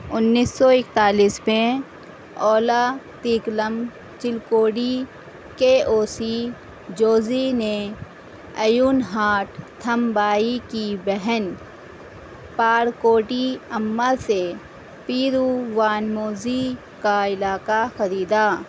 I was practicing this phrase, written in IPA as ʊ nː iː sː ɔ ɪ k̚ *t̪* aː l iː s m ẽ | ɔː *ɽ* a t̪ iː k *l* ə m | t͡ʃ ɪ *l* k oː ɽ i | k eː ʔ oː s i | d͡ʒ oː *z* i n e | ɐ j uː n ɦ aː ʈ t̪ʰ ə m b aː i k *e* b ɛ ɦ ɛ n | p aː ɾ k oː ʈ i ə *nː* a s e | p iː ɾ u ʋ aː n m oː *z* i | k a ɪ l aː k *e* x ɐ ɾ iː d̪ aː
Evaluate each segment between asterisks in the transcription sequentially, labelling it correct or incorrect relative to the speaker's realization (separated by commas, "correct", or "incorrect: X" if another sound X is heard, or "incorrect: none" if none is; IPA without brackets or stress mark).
correct, incorrect: l, correct, correct, correct, incorrect: i, incorrect: mː, correct, incorrect: a